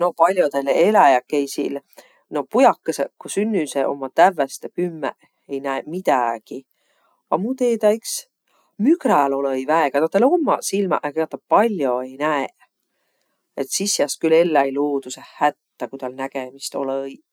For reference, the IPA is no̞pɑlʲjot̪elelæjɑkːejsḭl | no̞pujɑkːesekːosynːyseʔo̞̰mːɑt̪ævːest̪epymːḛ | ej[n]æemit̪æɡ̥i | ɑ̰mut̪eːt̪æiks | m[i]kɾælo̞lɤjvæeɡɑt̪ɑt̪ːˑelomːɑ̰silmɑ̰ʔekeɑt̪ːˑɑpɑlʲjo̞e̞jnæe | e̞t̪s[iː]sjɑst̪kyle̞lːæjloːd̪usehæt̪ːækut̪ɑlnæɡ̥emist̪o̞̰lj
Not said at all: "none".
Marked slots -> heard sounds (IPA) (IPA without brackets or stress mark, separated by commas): n, y, i